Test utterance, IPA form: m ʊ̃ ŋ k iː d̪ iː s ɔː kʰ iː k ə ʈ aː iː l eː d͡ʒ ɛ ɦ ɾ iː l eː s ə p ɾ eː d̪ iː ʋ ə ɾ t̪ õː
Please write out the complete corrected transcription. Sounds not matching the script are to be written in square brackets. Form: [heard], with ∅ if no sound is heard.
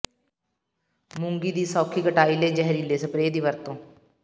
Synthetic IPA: m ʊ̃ ŋ [ɡ] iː d̪ iː s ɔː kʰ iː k ə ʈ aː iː l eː d͡ʒ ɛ ɦ ɾ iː l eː s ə p ɾ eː d̪ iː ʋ ə ɾ t̪ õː